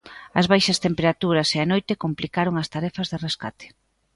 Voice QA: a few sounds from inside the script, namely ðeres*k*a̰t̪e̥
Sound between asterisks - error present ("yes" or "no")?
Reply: no